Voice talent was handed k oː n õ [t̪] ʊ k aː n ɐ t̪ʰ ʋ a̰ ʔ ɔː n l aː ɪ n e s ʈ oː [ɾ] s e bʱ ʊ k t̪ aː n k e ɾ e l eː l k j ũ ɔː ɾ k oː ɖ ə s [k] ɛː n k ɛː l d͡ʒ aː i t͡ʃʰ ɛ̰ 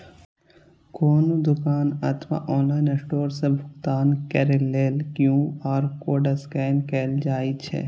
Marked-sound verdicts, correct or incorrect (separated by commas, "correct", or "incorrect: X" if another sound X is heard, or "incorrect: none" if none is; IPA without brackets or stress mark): incorrect: d̪, correct, correct